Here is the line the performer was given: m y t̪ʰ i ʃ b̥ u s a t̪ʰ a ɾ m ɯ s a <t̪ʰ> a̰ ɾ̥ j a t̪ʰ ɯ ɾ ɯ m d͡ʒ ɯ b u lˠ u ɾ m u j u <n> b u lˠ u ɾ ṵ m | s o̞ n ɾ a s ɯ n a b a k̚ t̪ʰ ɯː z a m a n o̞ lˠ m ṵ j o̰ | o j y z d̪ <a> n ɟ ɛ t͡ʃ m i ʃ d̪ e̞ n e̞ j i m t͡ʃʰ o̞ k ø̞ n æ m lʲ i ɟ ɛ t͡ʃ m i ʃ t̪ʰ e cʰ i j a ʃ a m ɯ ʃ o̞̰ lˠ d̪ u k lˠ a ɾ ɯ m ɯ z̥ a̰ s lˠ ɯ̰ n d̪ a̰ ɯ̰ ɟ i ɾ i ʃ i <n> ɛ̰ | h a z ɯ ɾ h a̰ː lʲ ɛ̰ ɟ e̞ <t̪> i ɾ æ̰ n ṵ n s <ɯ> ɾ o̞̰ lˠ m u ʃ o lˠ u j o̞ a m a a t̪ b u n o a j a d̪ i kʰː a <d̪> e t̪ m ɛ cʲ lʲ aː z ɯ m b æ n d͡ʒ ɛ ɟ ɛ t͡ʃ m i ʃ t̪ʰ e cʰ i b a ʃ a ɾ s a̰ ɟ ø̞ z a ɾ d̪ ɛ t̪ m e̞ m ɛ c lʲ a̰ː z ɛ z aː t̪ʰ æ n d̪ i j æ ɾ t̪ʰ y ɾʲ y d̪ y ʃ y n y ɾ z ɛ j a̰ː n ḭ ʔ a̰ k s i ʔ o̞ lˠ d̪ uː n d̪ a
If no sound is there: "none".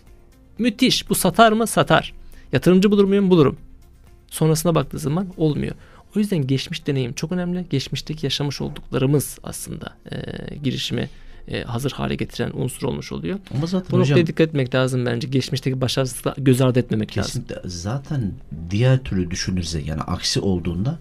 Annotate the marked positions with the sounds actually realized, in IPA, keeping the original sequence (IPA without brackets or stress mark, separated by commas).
t̪ʰ, m, æ, m, t̪ʰ, u, t̪